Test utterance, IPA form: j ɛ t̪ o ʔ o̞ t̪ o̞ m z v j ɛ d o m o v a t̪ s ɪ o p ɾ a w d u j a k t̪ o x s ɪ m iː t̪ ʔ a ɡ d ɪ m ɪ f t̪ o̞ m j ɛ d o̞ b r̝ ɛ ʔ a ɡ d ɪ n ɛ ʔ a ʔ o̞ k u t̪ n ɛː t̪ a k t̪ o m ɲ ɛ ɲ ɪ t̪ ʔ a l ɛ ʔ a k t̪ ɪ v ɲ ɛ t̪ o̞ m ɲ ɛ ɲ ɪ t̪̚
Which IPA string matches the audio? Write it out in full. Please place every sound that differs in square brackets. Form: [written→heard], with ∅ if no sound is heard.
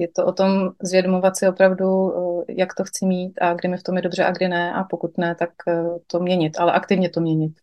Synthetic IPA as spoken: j ɛ t̪ o ʔ o̞ t̪ o̞ m z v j ɛ d o m o v a t̪ s ɪ o p ɾ a [w→v] d u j a k t̪ o x [s→t͡s] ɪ m iː t̪ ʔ a ɡ d ɪ m ɪ f t̪ o̞ m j ɛ d o̞ b r̝ ɛ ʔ a ɡ d ɪ n ɛ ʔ a [ʔ→p] o̞ k u t̪ n [ɛː→ɛ] t̪ a k t̪ o m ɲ ɛ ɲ ɪ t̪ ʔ a l ɛ ʔ a k t̪ ɪ v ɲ ɛ t̪ o̞ m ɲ ɛ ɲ ɪ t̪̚